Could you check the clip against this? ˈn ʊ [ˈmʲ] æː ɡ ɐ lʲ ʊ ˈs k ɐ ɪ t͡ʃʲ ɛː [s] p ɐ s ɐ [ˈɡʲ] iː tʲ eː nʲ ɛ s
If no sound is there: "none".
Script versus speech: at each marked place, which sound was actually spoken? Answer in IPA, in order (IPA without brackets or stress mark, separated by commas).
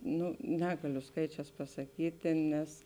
nʲ, s, kʲ